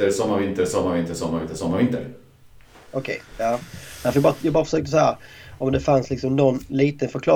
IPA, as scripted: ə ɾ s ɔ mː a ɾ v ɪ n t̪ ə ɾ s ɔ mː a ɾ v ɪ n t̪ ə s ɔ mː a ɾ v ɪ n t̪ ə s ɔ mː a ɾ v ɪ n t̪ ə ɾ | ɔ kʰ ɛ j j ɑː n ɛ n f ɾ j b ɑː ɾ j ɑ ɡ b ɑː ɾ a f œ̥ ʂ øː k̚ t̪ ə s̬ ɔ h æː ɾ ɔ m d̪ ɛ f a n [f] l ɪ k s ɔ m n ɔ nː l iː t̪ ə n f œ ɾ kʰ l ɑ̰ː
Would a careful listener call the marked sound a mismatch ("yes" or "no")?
yes